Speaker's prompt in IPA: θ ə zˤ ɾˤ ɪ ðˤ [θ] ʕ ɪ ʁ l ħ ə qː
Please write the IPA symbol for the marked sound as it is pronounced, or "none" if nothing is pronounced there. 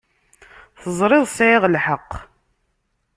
s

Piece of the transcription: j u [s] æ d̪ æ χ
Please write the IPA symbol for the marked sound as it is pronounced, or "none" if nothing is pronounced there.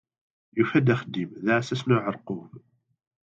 f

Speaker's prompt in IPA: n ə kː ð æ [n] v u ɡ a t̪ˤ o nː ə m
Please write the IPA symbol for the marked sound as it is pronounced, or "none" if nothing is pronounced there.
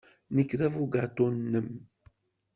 none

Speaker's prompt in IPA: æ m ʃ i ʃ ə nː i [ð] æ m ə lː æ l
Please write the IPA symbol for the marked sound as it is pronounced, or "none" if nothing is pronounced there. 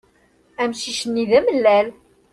ð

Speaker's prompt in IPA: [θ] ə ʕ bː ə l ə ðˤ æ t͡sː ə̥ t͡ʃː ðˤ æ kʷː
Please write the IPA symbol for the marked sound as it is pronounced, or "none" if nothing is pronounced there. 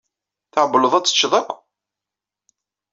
θ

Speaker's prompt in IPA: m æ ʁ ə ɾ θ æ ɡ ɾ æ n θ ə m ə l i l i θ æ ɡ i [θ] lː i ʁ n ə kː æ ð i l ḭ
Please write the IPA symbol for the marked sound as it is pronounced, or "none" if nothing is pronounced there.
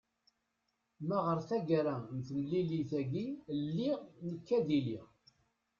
none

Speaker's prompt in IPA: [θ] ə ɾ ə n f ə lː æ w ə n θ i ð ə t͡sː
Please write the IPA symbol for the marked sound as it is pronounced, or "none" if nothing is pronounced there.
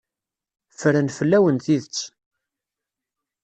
f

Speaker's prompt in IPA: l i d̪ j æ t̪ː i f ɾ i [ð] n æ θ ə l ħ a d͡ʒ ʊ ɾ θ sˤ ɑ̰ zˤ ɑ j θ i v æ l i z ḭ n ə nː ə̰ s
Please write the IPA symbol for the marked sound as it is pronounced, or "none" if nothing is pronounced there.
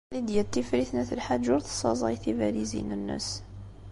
θ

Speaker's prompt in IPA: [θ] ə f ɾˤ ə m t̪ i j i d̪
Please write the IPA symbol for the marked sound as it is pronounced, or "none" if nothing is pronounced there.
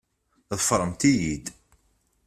ð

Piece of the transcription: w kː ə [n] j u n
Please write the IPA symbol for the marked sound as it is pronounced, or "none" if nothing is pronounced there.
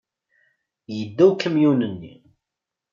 m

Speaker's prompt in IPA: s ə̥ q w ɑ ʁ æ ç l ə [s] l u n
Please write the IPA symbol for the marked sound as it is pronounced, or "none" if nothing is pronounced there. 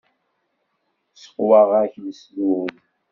s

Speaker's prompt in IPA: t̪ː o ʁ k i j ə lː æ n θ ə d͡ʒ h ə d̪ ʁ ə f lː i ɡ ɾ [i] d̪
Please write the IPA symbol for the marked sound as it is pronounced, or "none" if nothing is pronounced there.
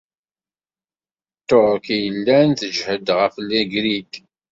i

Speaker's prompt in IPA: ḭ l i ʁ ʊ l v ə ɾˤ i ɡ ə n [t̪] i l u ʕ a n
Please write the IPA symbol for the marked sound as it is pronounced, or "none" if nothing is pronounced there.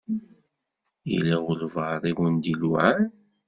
d̪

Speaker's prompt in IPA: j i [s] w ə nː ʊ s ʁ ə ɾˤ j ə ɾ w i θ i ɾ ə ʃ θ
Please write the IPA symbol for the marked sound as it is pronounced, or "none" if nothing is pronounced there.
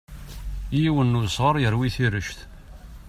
none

